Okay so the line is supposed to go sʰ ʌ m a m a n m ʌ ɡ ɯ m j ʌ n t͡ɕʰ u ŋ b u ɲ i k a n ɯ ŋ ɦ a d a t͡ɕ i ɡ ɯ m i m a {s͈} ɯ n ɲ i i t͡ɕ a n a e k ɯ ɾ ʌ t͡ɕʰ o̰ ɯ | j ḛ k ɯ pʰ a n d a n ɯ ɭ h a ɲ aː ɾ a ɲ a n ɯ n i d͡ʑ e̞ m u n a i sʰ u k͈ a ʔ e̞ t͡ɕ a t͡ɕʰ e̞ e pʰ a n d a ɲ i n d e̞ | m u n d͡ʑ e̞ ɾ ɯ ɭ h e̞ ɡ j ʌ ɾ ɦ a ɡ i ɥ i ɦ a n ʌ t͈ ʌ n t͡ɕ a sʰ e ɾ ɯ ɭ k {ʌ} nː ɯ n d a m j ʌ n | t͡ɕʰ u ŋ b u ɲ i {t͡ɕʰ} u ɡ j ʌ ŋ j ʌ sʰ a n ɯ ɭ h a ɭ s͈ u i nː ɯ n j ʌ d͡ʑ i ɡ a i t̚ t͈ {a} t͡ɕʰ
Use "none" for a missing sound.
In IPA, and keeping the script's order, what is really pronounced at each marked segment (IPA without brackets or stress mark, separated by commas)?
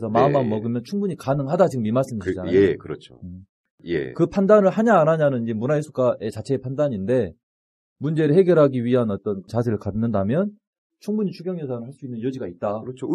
s͈, a, t͡ɕʰ, a